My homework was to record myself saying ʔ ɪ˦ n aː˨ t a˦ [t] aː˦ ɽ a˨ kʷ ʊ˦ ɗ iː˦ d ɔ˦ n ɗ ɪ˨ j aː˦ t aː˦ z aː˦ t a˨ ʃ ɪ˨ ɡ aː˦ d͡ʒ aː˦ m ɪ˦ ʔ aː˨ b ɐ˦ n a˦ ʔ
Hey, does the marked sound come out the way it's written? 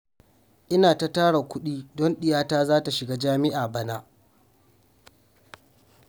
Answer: yes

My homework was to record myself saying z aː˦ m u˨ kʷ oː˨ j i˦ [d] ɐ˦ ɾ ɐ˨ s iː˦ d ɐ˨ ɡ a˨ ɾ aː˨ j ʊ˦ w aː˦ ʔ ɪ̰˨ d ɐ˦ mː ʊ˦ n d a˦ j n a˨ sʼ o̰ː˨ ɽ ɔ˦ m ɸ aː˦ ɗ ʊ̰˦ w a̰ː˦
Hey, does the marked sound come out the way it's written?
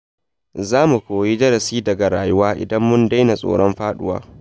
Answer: no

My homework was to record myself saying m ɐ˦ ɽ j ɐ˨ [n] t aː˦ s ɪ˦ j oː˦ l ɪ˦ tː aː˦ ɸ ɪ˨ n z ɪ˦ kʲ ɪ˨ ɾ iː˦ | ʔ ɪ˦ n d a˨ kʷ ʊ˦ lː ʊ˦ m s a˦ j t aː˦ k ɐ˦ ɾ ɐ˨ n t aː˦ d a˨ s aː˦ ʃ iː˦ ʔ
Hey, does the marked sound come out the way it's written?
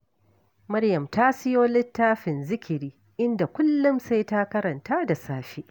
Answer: no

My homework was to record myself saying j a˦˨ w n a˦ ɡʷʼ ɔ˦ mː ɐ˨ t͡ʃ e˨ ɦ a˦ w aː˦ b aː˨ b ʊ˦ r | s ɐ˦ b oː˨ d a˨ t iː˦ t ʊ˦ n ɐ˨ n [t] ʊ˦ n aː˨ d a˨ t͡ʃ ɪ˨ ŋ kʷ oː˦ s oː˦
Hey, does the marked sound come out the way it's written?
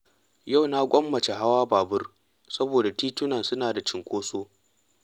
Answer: no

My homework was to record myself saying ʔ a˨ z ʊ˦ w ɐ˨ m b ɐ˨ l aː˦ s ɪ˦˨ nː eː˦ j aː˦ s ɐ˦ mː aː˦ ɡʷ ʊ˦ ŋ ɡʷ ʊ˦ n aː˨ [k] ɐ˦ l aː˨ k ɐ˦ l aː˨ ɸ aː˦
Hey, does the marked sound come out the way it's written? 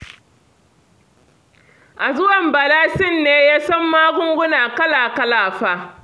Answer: yes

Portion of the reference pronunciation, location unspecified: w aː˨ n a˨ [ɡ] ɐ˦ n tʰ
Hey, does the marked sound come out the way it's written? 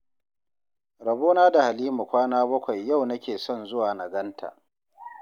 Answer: yes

